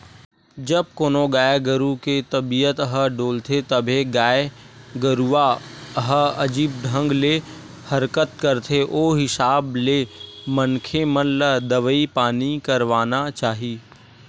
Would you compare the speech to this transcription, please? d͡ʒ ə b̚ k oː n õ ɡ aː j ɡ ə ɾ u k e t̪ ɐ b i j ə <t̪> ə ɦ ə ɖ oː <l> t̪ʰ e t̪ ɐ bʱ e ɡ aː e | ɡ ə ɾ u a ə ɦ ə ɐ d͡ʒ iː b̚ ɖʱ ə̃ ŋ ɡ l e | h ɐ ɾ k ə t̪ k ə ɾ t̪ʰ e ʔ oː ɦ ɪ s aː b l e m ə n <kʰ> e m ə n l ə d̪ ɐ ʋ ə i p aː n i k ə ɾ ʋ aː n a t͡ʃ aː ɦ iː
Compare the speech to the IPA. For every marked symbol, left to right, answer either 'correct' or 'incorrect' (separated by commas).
correct, correct, correct